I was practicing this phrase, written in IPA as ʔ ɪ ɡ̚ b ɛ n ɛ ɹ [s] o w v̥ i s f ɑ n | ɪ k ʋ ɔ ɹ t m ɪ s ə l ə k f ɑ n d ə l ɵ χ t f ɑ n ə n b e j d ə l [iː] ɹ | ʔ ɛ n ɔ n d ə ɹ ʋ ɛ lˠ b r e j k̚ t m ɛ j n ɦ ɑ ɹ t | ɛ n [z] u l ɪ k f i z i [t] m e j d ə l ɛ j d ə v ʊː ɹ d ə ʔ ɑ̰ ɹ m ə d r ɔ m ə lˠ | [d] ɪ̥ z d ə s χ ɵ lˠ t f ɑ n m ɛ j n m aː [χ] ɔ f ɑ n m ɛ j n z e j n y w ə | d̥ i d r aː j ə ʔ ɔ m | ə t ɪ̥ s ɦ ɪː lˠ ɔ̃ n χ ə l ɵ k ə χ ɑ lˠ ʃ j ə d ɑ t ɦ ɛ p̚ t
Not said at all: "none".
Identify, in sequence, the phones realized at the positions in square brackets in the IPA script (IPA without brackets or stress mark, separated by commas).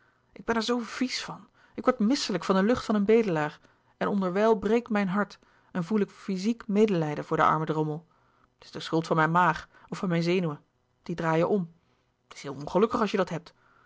z, aː, v, k, t, χ